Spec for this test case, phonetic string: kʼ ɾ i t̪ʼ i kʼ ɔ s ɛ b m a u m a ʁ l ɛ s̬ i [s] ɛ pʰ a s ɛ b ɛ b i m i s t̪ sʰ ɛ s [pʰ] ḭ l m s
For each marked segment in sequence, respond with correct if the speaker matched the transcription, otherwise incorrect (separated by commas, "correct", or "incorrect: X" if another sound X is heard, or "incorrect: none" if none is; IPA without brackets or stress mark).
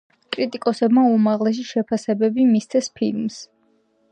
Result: incorrect: ʃ, correct